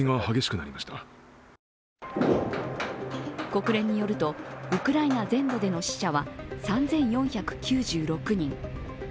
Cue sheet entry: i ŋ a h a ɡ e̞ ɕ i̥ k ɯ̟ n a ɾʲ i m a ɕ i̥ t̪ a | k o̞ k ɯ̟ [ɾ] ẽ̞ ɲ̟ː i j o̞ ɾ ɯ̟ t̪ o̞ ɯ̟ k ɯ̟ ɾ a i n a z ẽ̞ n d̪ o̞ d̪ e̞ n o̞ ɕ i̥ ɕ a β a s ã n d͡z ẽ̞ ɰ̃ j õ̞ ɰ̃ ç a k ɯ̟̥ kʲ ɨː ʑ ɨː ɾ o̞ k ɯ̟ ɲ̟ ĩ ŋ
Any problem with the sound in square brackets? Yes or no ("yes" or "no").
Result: no